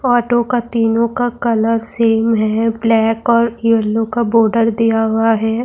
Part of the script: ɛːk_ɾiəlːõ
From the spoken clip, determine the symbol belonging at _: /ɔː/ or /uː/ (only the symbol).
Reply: ɔː